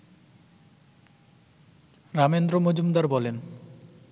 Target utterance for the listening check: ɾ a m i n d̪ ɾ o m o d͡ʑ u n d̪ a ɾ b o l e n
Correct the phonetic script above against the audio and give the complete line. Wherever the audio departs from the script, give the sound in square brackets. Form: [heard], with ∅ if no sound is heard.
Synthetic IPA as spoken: ɾ a m [e] n d̪ ɾ o m o d͡ʑ u [m] d̪ a ɾ b [ɔ] l e n